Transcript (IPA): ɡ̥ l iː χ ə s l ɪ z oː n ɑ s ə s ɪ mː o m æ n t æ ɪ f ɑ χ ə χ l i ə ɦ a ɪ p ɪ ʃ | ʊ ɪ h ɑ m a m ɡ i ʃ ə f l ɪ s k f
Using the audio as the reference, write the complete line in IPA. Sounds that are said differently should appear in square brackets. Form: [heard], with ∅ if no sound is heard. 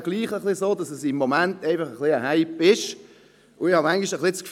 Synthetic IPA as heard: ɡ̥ l iː χ ə [χ] l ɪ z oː [d] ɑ s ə s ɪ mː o m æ n t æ ɪ f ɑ χ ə χ l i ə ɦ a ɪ p ɪ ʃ | ʊ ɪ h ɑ m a [ŋ] ɡ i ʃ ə [χ] l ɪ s k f